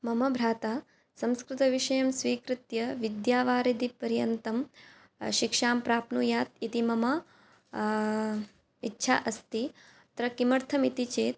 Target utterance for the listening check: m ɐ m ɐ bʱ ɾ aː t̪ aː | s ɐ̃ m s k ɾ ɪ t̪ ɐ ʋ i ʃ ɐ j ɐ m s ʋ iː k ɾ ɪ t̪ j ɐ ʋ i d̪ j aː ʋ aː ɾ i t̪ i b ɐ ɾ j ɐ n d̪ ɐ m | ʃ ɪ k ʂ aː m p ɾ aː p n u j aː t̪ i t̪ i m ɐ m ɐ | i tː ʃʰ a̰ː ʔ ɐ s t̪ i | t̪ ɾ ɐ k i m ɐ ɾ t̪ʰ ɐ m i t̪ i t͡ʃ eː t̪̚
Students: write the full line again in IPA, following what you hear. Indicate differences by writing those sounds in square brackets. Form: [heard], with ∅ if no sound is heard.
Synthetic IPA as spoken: m ɐ m ɐ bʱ ɾ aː t̪ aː | s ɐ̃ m s k ɾ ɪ t̪ ɐ ʋ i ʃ ɐ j ɐ m s ʋ iː k ɾ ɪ t̪ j ɐ ʋ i d̪ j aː ʋ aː ɾ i [d̪] i [p] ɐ ɾ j ɐ n [t̪] ɐ m | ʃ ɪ k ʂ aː m p ɾ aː p n u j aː t̪ i t̪ i m ɐ m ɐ | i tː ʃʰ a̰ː ʔ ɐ s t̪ i | t̪ ɾ ɐ k i m ɐ ɾ t̪ʰ ɐ m i t̪ i t͡ʃ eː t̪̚